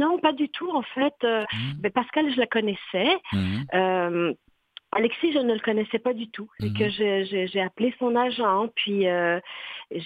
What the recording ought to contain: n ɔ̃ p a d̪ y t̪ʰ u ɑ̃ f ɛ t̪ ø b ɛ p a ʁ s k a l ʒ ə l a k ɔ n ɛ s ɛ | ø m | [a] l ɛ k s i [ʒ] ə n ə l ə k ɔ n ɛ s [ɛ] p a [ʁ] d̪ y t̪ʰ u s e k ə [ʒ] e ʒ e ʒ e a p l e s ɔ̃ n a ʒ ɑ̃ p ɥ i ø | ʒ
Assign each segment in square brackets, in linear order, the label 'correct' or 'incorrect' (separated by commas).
correct, correct, correct, incorrect, correct